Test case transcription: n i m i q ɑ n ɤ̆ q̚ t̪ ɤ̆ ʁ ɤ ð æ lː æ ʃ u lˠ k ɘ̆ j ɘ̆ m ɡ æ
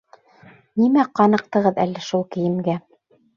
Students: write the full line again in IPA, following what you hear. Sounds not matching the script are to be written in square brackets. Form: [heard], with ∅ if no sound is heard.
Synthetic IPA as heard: n i m [æ] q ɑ n ɤ̆ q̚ t̪ ɤ̆ ʁ ɤ ð æ lː æ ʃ u lˠ k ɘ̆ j ɘ̆ m ɡ æ